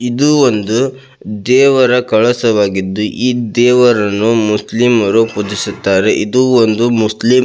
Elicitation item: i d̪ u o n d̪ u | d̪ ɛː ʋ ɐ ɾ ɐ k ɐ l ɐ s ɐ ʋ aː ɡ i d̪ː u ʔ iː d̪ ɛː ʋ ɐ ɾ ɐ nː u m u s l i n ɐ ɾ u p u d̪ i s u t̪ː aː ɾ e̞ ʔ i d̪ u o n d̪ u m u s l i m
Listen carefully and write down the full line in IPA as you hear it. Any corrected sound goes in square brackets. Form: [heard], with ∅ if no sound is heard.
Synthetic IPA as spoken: i d̪ u o n d̪ u | d̪ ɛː ʋ ɐ ɾ ɐ k ɐ [ɭ] ɐ s ɐ ʋ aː ɡ i d̪ː u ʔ iː d̪ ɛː ʋ ɐ ɾ ɐ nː u m u s l i [m] ɐ ɾ u p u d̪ i s u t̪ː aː ɾ e̞ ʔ i d̪ u o n d̪ u m u s l i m